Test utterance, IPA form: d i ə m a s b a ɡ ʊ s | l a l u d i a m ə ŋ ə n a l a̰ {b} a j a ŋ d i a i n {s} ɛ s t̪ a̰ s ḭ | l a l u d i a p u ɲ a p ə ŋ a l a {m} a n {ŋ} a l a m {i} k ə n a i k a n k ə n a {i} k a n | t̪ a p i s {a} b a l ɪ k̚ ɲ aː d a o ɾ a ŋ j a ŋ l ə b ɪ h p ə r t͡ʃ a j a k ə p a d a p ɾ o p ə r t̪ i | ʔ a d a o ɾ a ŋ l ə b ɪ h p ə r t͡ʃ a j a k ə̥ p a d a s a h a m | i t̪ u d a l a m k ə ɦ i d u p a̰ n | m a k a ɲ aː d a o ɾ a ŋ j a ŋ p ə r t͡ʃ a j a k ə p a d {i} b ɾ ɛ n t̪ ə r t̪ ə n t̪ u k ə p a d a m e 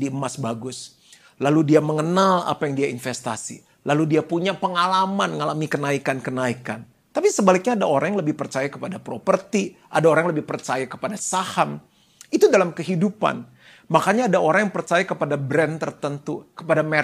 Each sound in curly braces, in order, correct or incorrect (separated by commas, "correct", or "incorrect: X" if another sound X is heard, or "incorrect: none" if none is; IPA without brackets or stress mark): incorrect: p, incorrect: f, correct, correct, correct, correct, incorrect: ə, incorrect: a